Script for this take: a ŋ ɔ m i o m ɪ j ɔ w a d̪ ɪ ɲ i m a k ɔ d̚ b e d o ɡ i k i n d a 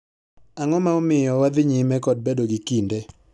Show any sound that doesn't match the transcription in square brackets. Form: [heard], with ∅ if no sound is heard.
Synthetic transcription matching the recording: a ŋ ɔ m [a] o m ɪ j ɔ w a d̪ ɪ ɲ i m [ɛ] k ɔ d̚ b e d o ɡ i k i n d [e]